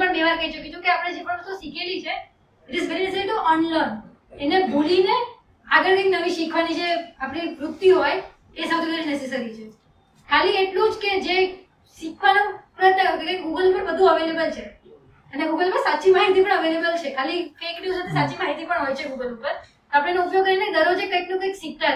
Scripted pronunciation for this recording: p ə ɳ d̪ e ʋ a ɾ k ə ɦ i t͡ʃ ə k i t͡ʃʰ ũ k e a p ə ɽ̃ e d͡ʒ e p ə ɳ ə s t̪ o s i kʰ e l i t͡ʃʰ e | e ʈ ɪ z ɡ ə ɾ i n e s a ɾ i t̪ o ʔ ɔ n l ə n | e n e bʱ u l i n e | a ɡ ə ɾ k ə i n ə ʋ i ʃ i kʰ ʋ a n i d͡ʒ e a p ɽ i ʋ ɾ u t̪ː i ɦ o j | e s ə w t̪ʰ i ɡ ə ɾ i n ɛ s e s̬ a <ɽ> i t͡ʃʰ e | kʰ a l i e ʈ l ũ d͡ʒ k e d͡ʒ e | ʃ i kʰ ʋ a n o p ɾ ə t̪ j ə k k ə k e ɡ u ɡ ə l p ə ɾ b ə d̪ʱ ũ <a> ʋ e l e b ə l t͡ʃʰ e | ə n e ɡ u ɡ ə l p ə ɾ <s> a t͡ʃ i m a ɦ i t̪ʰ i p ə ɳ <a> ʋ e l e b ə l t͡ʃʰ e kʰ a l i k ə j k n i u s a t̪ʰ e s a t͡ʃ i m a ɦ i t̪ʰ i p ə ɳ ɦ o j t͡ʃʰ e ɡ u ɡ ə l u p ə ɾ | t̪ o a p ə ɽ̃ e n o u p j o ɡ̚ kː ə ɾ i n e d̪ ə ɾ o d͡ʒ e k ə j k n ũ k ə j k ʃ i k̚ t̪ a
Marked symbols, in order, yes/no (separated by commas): no, no, yes, no